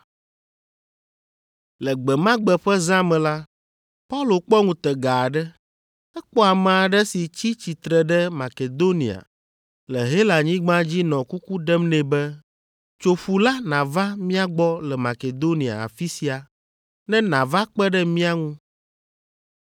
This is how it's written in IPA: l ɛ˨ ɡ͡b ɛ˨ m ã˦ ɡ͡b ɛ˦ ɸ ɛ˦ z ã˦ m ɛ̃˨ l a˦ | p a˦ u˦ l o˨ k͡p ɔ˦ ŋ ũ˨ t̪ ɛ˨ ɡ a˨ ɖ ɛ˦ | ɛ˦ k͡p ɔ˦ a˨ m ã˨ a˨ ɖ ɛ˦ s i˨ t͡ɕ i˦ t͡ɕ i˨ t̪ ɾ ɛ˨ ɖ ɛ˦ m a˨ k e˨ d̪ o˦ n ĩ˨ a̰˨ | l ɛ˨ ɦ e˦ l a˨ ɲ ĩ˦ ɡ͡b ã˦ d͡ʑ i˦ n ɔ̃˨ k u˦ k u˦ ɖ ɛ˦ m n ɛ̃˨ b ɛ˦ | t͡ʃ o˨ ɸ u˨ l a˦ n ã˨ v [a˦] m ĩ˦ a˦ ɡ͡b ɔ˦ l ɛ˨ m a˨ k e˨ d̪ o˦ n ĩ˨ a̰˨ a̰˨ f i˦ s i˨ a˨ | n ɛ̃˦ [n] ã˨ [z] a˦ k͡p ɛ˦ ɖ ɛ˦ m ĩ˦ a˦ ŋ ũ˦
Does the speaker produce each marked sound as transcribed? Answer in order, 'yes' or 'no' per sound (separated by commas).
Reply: yes, yes, no